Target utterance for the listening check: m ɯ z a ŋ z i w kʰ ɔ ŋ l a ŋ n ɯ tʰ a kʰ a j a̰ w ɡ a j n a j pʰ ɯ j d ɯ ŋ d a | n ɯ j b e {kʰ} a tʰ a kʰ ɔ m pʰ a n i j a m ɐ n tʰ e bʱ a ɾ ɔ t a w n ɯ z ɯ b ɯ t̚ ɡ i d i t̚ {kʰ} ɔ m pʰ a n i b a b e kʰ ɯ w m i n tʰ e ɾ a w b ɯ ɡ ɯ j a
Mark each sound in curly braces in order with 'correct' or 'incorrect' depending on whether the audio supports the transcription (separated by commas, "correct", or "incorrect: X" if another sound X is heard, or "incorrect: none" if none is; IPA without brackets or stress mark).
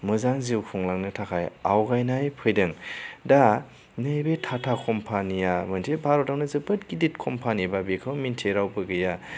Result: incorrect: tʰ, correct